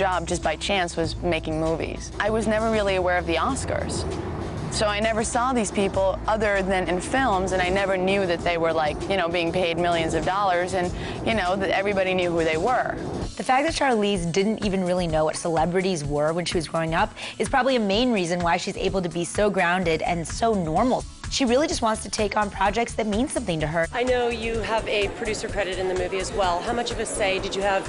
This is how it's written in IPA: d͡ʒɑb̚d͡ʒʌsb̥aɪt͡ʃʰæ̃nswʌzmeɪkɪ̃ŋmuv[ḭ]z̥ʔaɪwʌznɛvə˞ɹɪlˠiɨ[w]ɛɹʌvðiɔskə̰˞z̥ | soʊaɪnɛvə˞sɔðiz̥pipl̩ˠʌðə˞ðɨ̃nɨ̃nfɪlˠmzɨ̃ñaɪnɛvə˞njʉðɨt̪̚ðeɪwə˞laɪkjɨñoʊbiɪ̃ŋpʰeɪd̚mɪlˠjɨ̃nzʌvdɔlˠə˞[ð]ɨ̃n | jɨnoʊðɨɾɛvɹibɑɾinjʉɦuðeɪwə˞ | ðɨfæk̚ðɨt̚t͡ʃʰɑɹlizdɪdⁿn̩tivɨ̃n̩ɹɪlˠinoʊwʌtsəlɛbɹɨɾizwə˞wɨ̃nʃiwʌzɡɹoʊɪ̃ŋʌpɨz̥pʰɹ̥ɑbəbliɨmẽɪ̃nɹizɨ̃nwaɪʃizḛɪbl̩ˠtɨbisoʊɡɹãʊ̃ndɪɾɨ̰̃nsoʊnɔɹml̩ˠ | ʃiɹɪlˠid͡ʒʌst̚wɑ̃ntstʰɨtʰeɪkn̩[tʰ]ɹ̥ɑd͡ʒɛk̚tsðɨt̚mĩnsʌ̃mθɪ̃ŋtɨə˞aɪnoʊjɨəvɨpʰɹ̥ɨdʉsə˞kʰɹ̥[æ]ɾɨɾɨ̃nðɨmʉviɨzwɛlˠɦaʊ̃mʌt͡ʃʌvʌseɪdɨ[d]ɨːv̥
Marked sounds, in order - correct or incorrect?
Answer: correct, correct, incorrect: z, incorrect: pʰ, incorrect: ɛ, incorrect: d͡ʒ

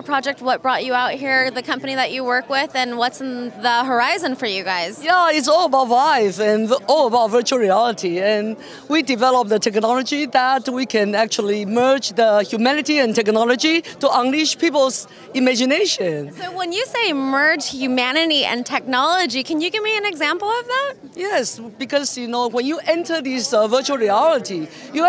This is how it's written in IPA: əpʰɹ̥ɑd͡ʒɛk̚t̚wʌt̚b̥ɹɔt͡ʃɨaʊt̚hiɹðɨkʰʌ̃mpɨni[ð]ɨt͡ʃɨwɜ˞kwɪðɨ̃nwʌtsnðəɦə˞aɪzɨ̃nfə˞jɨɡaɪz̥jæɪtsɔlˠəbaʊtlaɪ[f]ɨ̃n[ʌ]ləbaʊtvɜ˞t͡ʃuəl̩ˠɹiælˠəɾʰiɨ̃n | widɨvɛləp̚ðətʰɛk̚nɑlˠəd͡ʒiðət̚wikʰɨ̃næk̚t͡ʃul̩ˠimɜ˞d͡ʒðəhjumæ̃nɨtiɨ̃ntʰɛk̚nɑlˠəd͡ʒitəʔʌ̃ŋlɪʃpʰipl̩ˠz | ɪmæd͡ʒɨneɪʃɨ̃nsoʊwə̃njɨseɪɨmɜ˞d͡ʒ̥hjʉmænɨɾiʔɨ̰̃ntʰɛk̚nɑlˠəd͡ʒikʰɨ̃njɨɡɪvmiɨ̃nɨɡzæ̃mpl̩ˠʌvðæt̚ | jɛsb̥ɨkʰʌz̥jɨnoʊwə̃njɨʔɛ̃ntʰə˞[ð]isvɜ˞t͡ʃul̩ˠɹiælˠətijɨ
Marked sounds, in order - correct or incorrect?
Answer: correct, correct, incorrect: ɔ, correct

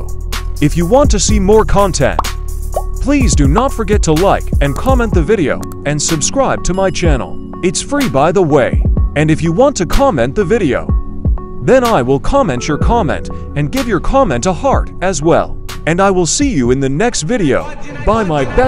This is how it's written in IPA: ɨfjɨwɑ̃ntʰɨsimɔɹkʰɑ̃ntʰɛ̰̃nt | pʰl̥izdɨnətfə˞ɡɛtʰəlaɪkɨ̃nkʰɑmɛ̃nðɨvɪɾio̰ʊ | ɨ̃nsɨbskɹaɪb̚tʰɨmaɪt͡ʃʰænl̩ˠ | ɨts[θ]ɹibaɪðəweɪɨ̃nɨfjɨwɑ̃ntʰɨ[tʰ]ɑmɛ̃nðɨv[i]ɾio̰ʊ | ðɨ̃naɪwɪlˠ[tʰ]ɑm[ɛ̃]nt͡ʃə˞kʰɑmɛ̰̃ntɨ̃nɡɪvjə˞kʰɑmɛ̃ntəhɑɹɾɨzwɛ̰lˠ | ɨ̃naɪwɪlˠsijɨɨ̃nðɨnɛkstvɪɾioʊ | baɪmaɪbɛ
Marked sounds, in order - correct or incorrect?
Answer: incorrect: f, incorrect: kʰ, incorrect: ɪ, incorrect: kʰ, correct

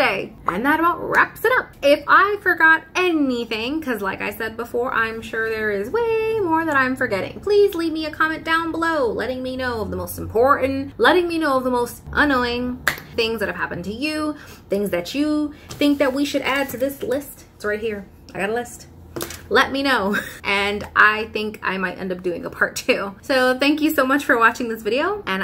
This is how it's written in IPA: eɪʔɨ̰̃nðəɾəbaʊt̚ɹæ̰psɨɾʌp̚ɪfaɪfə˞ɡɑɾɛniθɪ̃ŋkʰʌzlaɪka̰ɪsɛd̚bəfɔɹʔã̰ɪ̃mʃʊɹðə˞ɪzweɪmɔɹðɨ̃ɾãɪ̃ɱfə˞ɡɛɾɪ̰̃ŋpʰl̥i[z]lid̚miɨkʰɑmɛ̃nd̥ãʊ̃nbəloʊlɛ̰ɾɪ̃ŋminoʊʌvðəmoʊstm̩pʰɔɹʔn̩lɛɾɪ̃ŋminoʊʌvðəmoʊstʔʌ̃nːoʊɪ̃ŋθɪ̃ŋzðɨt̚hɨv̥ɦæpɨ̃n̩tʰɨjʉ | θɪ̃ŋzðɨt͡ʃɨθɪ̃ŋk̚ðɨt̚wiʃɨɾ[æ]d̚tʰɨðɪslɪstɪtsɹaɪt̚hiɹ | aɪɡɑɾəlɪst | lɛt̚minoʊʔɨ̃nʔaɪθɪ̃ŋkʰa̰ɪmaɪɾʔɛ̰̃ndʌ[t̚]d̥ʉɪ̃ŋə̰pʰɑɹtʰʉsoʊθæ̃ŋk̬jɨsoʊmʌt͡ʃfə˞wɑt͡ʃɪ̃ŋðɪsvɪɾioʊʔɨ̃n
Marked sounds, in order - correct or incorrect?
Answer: correct, correct, incorrect: p̚

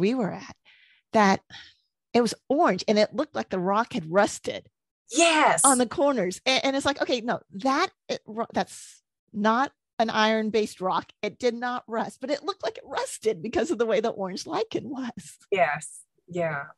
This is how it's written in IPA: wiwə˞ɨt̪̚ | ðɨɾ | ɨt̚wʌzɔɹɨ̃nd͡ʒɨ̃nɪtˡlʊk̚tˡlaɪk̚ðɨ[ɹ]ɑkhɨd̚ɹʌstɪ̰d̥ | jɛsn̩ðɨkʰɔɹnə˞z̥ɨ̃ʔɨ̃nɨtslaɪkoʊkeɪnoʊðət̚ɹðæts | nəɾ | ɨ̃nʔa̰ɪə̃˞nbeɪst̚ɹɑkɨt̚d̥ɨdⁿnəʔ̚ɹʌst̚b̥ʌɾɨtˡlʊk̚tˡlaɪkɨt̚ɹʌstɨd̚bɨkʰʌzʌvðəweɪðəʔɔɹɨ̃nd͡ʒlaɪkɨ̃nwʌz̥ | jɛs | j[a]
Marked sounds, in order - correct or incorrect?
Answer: correct, incorrect: æ

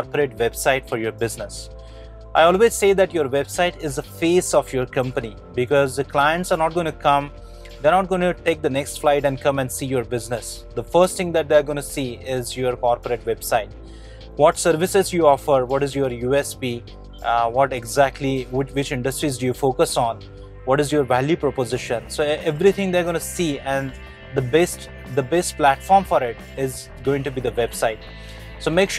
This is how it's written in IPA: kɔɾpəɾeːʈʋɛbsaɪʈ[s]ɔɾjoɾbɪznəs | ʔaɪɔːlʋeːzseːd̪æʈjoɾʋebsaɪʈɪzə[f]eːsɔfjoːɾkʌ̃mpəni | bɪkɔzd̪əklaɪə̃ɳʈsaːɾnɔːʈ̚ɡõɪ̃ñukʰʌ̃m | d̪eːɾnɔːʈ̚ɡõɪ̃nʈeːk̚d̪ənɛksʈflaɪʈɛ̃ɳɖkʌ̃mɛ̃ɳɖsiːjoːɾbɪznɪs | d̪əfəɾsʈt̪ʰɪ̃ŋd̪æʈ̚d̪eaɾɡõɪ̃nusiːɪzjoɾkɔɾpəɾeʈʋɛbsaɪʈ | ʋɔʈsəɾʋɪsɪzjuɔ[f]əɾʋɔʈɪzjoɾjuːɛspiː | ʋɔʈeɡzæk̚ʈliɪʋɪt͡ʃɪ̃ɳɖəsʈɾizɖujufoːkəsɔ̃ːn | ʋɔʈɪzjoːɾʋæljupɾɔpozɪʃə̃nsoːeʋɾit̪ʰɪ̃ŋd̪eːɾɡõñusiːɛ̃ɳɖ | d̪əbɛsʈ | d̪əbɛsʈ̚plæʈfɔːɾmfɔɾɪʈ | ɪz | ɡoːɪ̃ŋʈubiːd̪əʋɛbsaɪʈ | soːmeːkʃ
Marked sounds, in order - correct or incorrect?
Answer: incorrect: f, correct, correct

